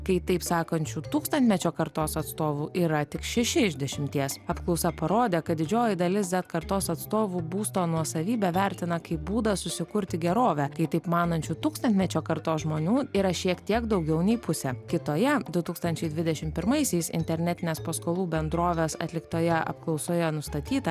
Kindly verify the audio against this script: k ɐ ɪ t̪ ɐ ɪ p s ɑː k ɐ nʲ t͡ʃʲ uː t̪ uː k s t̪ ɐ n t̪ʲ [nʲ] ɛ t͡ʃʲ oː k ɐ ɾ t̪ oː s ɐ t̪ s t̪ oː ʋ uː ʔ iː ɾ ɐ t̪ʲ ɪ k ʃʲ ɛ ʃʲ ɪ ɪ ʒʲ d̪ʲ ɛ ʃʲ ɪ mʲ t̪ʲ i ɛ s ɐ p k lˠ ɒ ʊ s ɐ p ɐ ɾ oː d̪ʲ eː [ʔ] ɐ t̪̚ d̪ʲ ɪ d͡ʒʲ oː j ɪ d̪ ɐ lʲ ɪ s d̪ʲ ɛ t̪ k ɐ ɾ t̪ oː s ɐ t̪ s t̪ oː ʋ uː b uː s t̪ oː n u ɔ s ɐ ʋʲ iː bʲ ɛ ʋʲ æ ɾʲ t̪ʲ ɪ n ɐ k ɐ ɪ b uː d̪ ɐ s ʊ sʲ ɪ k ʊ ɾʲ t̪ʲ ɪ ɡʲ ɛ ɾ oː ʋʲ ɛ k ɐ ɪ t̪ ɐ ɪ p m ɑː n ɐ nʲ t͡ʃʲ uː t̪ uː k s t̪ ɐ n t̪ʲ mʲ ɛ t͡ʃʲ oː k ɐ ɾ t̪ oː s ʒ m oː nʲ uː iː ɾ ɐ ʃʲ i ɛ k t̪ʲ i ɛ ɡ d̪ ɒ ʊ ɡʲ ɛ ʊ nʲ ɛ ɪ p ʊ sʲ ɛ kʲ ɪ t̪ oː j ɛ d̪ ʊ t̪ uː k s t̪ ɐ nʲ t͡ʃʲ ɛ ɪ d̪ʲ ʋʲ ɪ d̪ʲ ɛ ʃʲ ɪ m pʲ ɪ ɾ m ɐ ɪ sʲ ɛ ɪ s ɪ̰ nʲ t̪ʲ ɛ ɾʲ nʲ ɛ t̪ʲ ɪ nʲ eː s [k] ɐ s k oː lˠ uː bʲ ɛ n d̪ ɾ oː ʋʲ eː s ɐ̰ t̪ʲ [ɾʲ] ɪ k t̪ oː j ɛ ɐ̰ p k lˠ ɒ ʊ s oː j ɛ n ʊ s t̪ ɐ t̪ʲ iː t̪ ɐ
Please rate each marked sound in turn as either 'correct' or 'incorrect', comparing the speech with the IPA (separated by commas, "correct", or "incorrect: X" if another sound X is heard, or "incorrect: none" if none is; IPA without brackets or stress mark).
incorrect: mʲ, incorrect: k, incorrect: p, incorrect: lʲ